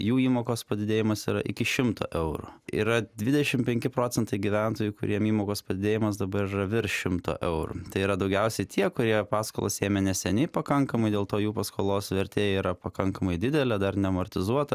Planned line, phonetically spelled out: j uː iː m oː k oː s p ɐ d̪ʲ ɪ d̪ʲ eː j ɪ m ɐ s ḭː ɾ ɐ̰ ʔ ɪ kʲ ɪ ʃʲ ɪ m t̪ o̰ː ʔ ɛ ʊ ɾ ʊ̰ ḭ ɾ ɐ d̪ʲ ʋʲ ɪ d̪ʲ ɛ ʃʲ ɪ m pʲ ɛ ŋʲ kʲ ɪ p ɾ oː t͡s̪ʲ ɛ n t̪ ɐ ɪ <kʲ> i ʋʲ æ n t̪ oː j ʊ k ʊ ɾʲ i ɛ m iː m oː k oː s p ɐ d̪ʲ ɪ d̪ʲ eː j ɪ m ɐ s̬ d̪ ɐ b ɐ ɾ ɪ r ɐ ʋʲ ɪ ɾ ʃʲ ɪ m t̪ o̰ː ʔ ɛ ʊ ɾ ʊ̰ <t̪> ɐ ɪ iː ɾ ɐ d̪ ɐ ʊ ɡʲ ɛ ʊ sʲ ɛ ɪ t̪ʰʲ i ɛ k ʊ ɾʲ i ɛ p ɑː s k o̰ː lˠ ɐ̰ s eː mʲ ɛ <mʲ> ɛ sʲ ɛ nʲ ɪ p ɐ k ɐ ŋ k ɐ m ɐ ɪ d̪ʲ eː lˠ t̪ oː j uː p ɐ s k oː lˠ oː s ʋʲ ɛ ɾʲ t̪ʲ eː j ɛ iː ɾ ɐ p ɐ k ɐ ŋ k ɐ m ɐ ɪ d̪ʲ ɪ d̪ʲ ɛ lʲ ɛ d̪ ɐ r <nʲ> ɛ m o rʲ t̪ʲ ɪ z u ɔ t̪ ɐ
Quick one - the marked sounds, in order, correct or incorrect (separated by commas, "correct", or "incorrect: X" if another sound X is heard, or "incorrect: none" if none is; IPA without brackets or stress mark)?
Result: incorrect: ɡʲ, correct, incorrect: nʲ, correct